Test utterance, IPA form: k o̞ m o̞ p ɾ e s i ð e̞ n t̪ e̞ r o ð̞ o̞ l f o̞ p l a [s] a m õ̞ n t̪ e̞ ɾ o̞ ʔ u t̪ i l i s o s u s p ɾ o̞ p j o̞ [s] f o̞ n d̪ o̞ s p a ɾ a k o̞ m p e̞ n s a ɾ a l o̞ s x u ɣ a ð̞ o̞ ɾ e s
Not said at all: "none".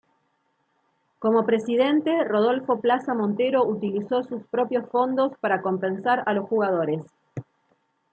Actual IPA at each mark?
s, s

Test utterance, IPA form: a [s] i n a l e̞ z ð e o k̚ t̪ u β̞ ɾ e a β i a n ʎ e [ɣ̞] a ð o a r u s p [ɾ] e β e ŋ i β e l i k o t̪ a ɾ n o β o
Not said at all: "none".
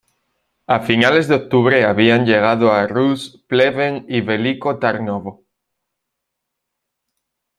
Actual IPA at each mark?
f, ɣ̞, l

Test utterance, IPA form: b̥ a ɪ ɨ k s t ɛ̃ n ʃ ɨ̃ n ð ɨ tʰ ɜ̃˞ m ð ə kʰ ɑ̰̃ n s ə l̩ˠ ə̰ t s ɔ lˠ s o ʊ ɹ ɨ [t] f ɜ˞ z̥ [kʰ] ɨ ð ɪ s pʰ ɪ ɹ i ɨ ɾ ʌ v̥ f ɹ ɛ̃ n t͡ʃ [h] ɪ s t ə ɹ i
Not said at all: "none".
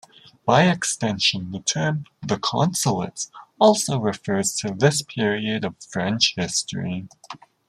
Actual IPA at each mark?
none, tʰ, h

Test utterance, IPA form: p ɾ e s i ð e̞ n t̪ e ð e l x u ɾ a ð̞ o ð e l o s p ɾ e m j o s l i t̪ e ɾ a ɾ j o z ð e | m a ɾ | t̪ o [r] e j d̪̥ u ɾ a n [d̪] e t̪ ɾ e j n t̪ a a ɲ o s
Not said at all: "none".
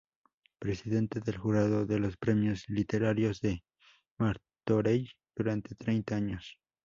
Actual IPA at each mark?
ɾ, t̪

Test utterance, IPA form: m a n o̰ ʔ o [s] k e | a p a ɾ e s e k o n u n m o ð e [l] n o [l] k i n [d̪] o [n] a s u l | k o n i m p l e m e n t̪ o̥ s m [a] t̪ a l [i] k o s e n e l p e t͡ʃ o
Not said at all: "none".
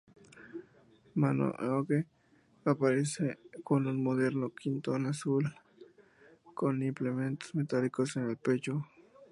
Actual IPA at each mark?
none, ɾ, none, t̪, n, e, i

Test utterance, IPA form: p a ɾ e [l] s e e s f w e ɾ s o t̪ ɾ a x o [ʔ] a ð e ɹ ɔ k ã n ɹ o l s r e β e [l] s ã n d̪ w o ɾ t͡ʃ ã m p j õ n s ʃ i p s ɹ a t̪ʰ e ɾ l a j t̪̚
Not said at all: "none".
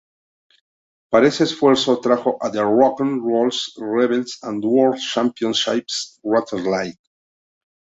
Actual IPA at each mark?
none, ʔ, l

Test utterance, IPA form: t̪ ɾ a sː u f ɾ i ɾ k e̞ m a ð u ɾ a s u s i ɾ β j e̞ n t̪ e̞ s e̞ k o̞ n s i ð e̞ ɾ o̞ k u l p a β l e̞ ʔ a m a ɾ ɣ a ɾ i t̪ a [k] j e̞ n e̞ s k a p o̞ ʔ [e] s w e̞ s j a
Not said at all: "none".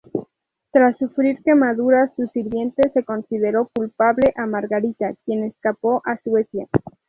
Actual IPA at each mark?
k, a

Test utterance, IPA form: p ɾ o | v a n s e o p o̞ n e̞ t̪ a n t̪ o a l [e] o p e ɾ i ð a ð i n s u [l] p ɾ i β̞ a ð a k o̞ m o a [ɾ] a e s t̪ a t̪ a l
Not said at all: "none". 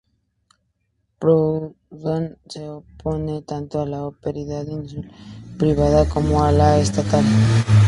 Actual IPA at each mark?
a, l, l

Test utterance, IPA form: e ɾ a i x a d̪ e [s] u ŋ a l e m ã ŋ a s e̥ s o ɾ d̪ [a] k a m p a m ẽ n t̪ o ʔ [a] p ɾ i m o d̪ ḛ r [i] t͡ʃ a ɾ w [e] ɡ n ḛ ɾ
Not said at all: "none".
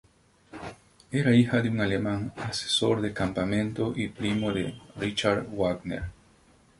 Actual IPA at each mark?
none, e, i, i, a

